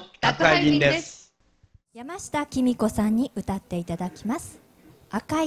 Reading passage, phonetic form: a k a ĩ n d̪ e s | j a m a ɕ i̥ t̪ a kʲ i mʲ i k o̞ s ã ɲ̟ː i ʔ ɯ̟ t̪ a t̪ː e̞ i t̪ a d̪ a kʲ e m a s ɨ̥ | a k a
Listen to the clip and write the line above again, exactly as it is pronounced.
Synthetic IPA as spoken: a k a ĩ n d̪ e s | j a m a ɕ i̥ t̪ a kʲ i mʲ i k o̞ s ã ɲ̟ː i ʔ ɯ̟ t̪ a t̪ː e̞ i t̪ a d̪ a kʲ i m a s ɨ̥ | a k a